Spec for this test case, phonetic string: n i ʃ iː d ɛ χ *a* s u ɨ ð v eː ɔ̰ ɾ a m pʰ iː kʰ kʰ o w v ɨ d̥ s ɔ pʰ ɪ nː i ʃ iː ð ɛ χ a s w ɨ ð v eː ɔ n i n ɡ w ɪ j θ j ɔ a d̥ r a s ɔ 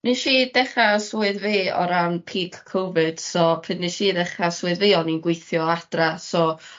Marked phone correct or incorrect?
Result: correct